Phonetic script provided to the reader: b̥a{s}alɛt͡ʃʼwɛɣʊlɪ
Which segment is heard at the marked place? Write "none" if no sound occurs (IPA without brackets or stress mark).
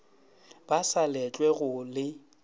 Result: s